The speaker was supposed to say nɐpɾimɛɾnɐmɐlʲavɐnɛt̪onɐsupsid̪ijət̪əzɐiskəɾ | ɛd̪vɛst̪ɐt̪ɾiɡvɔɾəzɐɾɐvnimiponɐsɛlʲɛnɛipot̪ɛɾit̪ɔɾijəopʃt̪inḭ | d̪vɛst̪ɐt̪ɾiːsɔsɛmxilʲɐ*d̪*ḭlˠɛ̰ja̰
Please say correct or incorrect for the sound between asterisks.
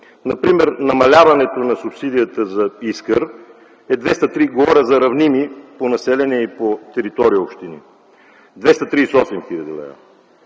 correct